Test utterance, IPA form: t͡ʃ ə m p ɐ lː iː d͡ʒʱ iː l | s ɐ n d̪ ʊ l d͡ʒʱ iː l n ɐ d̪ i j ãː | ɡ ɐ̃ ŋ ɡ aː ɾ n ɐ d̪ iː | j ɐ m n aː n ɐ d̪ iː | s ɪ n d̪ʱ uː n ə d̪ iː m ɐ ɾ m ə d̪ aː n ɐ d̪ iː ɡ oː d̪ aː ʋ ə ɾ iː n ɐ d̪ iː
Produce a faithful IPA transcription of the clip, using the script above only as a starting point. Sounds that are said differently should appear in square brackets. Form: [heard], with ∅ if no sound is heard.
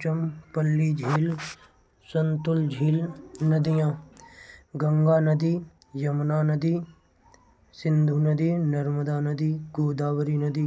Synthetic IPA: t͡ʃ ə m p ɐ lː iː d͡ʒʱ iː l | s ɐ n [t̪] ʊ l d͡ʒʱ iː l n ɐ d̪ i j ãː | ɡ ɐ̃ ŋ ɡ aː [∅] n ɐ d̪ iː | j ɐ m n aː n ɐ d̪ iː | s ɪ n d̪ʱ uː n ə d̪ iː [n] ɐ ɾ m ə d̪ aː n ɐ d̪ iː ɡ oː d̪ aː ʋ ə ɾ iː n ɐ d̪ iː